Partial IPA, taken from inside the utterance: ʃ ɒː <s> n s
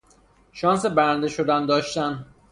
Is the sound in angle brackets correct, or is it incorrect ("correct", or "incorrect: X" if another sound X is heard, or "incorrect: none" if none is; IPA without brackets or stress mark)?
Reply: incorrect: none